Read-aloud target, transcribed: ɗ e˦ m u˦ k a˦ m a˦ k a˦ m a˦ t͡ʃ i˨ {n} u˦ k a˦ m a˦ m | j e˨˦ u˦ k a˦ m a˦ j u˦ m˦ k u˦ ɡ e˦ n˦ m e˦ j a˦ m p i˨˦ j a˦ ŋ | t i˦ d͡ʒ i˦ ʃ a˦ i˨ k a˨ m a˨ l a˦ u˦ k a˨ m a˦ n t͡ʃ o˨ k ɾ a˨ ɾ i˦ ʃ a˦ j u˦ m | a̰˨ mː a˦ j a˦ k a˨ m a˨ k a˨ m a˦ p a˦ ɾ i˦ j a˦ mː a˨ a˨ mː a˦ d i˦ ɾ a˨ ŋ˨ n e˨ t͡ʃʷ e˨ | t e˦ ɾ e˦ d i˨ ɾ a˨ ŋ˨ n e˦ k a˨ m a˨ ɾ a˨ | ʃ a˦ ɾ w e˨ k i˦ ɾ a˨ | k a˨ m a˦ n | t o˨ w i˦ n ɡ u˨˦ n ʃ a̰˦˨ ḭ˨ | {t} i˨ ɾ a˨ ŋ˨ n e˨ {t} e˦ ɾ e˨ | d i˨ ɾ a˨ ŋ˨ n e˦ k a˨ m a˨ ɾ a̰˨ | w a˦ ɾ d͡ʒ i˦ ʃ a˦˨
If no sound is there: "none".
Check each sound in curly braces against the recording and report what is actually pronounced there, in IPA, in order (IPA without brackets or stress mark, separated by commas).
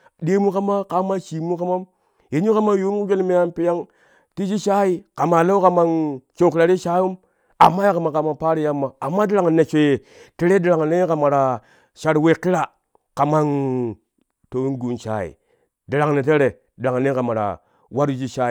m, d, t